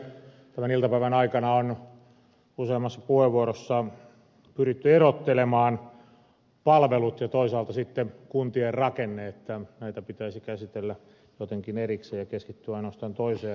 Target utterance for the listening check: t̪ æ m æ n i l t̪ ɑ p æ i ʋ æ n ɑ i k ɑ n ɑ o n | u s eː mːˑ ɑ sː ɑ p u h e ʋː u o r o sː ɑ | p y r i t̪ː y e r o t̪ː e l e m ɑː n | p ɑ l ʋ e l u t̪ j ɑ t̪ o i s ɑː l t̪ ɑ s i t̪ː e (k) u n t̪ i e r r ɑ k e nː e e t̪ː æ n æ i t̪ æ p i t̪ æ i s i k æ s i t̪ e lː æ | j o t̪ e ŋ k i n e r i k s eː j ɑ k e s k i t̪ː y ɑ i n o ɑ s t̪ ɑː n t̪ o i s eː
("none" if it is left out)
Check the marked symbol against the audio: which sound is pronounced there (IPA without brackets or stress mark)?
k